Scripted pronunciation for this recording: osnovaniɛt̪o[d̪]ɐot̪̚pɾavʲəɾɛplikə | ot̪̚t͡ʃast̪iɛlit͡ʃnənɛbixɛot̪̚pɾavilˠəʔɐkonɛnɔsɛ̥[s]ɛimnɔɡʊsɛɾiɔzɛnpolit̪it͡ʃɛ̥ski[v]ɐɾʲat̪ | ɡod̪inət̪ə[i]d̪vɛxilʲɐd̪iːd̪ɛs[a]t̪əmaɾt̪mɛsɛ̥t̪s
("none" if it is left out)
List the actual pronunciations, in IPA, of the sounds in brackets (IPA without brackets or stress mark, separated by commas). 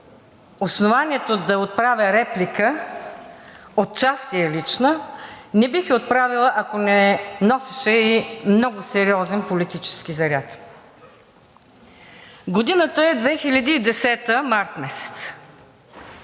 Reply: d̪, ʃ, z, ɛ, ɛ